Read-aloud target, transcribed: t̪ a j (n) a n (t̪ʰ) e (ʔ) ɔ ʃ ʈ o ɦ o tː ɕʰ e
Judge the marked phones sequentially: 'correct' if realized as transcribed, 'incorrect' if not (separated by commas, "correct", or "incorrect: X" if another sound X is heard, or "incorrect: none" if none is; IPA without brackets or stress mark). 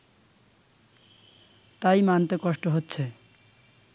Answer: incorrect: m, incorrect: t̪, incorrect: k